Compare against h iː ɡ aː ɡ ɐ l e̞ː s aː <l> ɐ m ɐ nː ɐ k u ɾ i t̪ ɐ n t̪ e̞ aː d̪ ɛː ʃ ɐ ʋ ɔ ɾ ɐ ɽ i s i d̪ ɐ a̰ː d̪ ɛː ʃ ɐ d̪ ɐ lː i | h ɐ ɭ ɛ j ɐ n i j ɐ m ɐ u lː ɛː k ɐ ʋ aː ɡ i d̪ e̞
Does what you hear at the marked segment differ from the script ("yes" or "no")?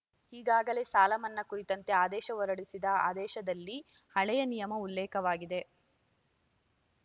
no